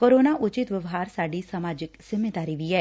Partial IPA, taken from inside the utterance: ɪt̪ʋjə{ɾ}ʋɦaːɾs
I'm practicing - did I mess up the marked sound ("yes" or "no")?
yes